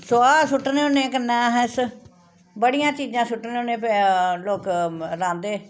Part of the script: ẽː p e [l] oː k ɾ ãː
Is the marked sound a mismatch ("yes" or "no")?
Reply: no